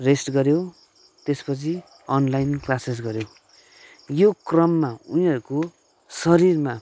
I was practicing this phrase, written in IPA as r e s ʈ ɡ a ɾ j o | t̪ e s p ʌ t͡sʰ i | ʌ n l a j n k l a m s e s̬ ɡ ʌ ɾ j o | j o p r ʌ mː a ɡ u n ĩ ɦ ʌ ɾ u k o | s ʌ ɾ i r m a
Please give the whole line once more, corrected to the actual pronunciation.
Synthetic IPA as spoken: r e s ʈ ɡ ʌ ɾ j o | t̪ e s p ʌ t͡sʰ i | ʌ n l a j n k l a s e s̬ ɡ ʌ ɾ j o | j o k r ʌ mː a u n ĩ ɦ ʌ ɾ u k o | s ʌ ɾ i r m a

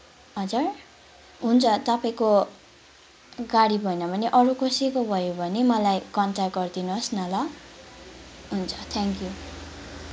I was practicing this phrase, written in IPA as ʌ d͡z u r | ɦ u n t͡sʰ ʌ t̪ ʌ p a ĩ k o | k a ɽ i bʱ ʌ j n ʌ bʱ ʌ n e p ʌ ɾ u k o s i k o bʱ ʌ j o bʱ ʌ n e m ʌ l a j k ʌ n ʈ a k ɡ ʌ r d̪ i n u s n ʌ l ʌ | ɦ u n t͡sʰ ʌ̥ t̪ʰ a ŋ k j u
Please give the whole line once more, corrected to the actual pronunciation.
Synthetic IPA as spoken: ʌ d͡z u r | ɦ u n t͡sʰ ʌ t̪ ʌ p a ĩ k o | ɡ a ɽ i bʱ ʌ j n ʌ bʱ ʌ n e ʔ ʌ ɾ u k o s i k o bʱ ʌ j o bʱ ʌ n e m ʌ l a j k ʌ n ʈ a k ɡ ʌ r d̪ i n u s n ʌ l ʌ | ɦ u n t͡sʰ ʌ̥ t̪ʰ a ŋ k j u

